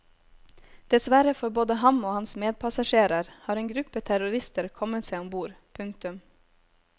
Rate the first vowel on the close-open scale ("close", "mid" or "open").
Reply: mid